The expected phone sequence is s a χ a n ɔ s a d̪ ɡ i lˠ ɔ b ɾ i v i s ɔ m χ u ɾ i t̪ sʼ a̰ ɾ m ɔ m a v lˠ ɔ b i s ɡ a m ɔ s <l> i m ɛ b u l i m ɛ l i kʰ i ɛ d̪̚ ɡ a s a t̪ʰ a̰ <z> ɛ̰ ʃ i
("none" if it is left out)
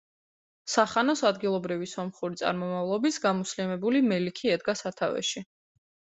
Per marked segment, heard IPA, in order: l, v

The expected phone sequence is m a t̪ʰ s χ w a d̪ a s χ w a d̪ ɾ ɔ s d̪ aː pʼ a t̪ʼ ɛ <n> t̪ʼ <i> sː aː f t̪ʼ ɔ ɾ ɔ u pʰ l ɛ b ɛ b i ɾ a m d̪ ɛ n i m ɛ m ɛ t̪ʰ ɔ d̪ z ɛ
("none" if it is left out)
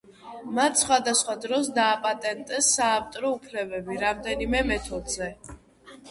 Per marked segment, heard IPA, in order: n, ɛ

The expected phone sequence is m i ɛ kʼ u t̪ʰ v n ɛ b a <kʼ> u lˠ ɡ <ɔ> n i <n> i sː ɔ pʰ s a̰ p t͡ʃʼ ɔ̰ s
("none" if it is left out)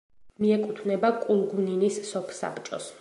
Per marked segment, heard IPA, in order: kʼ, u, n

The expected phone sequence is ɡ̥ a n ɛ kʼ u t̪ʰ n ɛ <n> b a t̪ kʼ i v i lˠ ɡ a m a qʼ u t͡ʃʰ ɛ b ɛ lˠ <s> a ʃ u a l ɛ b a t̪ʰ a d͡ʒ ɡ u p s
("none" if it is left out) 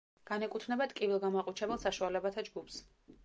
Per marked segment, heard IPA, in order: none, s

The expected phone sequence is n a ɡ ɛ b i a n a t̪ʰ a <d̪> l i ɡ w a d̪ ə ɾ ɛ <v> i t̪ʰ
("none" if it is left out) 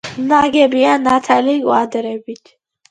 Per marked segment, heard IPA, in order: none, b

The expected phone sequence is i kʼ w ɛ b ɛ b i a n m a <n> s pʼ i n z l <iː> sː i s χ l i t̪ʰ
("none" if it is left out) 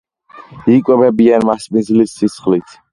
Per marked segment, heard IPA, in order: none, i

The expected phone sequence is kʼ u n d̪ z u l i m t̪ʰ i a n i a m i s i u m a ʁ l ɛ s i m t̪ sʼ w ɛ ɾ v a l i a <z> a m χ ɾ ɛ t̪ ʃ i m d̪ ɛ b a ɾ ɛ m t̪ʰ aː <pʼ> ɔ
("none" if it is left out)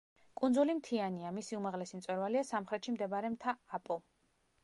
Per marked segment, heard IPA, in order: s, pʼ

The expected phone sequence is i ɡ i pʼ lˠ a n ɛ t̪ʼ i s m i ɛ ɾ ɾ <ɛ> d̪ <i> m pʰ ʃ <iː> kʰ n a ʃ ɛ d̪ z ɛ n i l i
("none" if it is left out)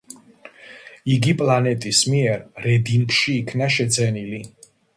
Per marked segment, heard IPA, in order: ɛ, i, iː

